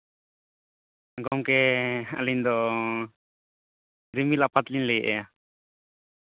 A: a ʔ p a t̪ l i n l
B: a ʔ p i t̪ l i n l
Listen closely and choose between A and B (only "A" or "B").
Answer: A